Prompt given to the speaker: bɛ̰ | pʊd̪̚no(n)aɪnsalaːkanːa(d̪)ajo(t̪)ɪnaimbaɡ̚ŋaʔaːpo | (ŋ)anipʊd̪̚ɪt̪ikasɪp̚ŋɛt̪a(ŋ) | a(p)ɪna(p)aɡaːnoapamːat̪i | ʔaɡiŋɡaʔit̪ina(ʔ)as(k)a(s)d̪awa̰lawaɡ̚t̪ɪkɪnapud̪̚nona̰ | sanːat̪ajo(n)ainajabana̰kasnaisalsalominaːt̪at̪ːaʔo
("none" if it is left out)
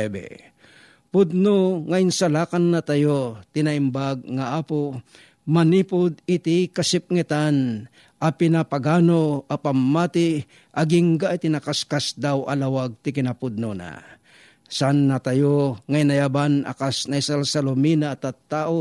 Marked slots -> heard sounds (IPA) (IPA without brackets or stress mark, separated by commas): ŋ, t̪, t̪, m, n, p, p, k, k, s, ŋ